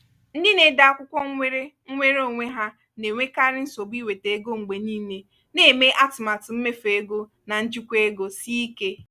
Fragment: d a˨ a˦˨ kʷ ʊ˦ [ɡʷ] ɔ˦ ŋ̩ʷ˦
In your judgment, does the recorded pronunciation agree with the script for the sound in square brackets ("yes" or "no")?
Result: no